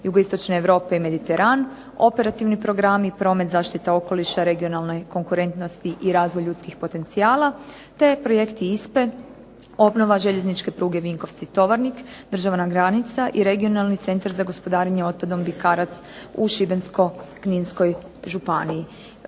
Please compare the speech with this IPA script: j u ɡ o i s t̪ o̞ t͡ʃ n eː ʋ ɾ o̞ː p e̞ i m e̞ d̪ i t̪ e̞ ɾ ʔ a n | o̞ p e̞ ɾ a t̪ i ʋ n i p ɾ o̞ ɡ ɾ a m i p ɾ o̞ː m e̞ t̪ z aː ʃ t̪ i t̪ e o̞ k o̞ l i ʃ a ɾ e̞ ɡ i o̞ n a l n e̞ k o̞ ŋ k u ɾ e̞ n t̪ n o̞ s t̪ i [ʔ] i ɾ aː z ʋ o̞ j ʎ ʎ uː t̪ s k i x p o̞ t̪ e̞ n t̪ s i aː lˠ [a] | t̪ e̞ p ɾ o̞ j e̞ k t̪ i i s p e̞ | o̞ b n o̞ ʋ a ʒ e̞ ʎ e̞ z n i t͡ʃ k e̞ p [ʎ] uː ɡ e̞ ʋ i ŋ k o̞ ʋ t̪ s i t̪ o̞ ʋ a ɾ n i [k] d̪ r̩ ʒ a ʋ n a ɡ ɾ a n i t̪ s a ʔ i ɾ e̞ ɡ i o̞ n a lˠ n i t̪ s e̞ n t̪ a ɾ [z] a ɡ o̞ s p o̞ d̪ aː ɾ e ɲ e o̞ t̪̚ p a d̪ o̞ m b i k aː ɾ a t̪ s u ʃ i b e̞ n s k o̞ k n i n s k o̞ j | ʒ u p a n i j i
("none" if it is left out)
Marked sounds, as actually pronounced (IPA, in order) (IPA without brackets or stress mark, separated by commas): ʔ, a, ɾ, k, z